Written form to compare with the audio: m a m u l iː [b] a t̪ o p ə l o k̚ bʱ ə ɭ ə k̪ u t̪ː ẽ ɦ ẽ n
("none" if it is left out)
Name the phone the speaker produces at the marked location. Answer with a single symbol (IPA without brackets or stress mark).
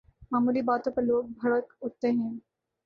b